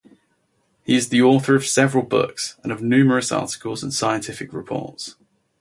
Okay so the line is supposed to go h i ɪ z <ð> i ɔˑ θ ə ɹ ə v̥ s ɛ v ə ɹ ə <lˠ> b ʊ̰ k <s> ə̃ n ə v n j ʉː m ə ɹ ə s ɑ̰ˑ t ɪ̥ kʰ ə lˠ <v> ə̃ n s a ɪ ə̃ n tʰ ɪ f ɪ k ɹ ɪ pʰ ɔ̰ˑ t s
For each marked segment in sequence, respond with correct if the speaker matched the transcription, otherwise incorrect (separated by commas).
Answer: correct, correct, correct, incorrect